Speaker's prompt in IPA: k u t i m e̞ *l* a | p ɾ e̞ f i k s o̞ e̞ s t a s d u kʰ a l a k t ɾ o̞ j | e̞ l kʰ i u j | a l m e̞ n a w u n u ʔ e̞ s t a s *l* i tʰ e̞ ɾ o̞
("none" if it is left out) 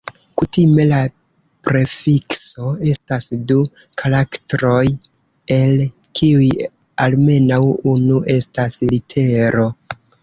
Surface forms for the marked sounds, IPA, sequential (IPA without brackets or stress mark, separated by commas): l, l